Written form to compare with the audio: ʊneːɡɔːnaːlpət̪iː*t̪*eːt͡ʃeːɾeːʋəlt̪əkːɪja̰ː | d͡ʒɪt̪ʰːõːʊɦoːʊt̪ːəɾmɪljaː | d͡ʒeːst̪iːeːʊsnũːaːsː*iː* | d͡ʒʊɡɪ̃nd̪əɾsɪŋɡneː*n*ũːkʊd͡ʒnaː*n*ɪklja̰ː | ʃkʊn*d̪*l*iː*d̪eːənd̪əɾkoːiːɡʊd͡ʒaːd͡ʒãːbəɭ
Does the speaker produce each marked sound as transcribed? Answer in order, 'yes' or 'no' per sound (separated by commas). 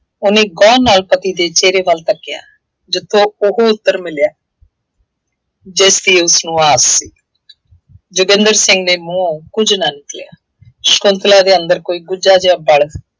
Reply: no, yes, no, yes, no, no